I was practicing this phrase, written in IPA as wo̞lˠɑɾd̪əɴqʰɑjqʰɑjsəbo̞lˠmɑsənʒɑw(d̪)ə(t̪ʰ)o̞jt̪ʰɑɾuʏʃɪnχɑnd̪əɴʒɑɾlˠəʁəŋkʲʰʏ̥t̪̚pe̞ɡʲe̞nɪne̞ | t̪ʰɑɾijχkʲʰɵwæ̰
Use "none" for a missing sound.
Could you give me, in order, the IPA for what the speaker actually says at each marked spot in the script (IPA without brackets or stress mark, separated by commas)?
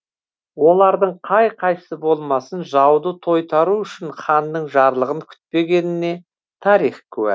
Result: d̪, t̪ʰ